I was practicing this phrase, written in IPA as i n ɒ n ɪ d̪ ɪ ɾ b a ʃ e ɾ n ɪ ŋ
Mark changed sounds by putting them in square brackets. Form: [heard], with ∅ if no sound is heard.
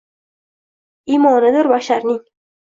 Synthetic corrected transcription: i [m] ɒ n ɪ d̪ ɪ ɾ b a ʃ [a] ɾ n ɪ ŋ